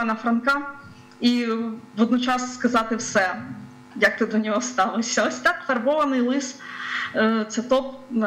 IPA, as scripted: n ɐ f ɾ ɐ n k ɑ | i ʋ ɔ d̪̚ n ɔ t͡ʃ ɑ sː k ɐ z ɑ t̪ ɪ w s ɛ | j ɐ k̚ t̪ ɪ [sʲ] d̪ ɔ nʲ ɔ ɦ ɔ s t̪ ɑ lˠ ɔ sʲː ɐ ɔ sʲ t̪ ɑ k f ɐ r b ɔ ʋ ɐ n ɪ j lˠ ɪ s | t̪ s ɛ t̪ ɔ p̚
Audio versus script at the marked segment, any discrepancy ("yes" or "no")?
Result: yes